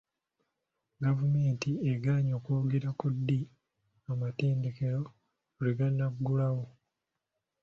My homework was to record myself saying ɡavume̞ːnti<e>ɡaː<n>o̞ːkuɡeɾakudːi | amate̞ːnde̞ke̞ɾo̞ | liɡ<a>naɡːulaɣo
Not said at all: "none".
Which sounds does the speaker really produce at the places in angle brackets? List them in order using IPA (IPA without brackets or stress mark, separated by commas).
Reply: e, ɲ, a